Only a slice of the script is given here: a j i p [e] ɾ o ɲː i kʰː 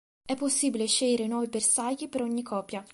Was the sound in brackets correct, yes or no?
yes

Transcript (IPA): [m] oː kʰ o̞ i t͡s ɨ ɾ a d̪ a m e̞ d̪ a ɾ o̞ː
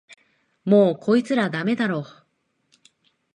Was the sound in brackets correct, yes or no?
yes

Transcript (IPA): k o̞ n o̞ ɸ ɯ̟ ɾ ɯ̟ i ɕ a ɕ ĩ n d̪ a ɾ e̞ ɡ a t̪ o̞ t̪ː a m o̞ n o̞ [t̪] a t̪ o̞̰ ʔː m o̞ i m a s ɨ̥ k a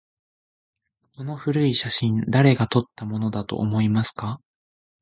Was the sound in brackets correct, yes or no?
no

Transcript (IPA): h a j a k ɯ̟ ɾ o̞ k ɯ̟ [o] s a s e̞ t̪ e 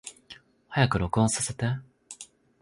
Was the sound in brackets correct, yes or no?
no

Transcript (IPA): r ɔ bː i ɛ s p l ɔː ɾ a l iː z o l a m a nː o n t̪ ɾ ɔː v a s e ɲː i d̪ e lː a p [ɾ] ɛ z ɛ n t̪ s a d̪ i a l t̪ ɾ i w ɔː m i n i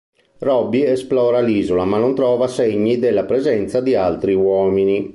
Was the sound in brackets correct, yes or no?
yes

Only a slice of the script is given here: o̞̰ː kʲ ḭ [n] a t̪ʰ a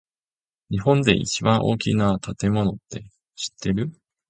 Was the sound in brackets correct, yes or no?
yes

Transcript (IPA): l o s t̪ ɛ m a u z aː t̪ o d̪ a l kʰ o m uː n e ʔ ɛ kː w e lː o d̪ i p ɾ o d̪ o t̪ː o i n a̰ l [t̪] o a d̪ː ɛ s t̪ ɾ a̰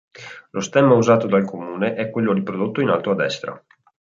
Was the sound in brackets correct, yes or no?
yes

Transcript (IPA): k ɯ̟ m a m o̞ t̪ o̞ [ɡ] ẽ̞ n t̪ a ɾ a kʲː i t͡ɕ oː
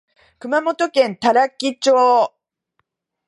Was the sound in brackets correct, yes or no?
no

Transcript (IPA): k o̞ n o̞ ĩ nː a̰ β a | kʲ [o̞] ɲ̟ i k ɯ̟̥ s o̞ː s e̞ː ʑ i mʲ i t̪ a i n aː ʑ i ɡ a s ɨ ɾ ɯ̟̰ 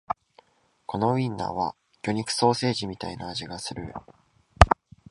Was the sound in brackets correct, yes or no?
yes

